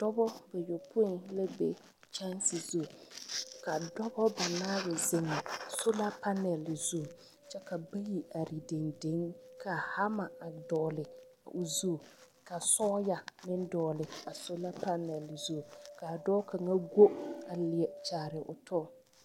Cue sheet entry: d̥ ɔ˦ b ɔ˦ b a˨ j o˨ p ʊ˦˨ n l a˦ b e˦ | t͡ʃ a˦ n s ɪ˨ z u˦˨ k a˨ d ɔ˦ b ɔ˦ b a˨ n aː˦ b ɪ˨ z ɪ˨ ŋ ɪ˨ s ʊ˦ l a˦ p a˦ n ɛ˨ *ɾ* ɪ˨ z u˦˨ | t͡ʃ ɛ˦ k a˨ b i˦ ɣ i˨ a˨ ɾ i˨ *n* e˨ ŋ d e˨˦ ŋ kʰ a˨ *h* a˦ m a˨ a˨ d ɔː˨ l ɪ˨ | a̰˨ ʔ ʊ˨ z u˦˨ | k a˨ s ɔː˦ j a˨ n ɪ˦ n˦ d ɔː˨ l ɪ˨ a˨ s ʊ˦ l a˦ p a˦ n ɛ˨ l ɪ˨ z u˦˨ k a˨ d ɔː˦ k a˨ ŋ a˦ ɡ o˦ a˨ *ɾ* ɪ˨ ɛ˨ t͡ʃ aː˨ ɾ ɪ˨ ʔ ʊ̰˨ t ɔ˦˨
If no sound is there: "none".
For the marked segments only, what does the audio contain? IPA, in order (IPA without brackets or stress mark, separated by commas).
l, d, h, l